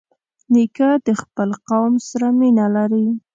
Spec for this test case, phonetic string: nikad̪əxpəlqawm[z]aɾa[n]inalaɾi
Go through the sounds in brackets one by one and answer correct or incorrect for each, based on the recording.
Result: incorrect, incorrect

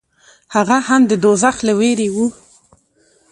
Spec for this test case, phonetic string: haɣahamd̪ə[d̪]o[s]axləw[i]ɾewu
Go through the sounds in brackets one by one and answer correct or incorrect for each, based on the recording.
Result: correct, incorrect, incorrect

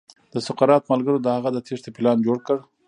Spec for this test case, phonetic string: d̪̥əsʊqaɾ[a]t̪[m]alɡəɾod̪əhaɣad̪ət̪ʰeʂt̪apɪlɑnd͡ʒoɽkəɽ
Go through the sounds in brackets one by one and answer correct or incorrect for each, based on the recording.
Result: incorrect, correct

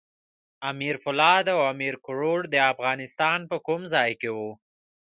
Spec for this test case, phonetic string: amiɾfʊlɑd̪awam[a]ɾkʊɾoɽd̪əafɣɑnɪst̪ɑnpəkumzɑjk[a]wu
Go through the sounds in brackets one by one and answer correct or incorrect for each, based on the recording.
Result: incorrect, incorrect

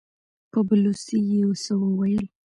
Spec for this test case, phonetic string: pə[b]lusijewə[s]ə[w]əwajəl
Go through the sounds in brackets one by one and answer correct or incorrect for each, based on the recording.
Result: correct, correct, correct

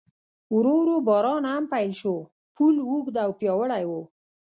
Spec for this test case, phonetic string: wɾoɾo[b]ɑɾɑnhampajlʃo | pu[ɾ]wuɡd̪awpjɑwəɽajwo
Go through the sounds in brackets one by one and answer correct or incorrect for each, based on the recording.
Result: correct, incorrect

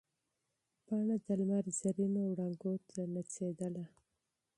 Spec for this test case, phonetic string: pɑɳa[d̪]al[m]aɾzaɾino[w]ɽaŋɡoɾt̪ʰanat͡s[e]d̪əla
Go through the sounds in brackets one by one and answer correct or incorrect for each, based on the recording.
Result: correct, correct, correct, correct

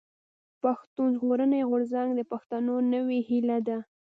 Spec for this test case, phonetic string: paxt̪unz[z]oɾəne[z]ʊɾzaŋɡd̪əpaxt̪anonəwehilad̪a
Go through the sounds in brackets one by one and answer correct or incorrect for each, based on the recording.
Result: incorrect, incorrect

